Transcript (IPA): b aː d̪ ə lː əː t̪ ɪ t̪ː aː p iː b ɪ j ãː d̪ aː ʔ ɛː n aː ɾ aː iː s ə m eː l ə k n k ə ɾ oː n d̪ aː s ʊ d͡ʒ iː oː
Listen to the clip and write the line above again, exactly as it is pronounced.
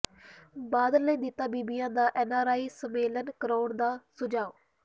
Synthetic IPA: b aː d̪ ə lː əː d̪ ɪ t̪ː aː b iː b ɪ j ãː d̪ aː ʔ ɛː n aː ɾ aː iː s ə m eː l ə n k ə ɾ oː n d̪ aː s ʊ d͡ʒ aː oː